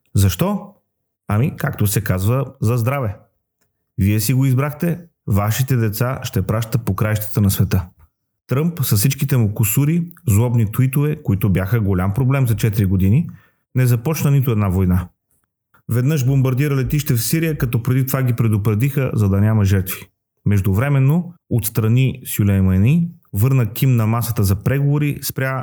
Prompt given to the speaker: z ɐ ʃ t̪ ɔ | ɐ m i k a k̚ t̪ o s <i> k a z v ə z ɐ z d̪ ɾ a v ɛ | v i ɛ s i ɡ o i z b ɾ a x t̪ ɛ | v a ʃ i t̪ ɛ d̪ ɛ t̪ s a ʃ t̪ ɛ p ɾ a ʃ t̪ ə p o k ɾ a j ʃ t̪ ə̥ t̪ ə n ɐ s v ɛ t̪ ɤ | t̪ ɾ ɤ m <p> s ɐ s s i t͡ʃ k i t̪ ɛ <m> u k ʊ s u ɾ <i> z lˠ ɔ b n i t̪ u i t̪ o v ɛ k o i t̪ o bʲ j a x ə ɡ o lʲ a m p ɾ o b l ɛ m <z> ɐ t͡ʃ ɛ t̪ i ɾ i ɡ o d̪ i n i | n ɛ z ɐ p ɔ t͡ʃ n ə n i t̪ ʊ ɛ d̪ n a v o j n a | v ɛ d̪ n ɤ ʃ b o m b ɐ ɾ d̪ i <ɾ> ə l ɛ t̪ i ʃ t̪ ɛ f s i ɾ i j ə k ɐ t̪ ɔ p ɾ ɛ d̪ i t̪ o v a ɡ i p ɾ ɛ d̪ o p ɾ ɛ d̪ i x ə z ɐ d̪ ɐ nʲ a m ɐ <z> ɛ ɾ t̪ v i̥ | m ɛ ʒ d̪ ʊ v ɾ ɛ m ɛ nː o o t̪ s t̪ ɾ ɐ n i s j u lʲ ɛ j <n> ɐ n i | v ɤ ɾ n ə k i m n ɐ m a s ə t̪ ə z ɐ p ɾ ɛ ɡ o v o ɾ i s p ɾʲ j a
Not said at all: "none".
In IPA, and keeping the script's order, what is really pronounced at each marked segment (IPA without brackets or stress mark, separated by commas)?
ɛ, p, m, i, z, ɾ, ʒ, m